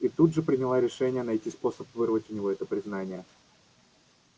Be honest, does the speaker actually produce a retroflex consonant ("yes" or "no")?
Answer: yes